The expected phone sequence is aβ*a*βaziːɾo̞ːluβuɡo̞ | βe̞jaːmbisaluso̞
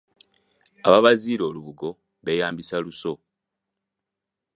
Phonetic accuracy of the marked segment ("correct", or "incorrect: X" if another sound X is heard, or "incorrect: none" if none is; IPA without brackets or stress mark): correct